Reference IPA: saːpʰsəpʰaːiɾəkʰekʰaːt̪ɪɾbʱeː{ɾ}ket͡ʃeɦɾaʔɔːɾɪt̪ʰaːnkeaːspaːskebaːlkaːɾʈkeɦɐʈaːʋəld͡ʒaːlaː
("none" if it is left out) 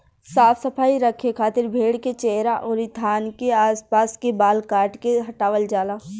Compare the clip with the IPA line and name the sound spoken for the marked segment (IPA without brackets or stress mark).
ɽ